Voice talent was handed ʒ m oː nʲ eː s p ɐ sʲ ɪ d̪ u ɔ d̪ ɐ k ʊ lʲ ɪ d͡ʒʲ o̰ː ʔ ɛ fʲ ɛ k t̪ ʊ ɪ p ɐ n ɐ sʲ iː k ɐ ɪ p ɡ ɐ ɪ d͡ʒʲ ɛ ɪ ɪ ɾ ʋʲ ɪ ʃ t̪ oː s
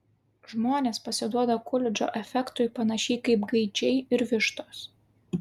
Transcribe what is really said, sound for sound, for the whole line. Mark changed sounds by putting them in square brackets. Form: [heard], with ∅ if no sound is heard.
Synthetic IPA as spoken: ʒ m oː nʲ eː s p ɐ sʲ ɪ d̪ u ɔ d̪ ɐ k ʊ lʲ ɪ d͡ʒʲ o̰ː ʔ ɛ fʲ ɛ k t̪ ʊ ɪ p ɐ n ɐ [ʃʲ] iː k ɐ ɪ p ɡ ɐ ɪ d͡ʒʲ ɛ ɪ ɪ ɾ ʋʲ ɪ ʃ t̪ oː s